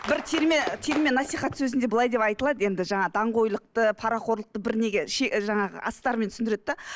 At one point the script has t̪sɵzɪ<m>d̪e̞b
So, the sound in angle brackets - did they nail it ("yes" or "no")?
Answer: no